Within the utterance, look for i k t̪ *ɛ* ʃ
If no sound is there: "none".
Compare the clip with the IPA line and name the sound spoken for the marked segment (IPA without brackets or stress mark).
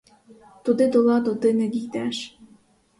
æ